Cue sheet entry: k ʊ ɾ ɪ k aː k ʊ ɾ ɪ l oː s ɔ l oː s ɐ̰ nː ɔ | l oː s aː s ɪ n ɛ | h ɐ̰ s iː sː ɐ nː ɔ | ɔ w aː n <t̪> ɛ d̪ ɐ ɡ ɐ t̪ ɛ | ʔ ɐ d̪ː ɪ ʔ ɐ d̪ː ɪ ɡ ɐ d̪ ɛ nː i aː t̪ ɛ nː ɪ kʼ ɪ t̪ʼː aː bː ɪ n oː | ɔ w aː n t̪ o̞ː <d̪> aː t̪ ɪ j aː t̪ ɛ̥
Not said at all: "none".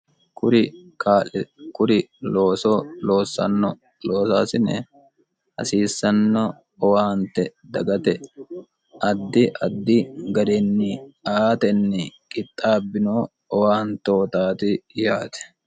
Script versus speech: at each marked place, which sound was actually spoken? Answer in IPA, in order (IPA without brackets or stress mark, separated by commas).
t̪, t̪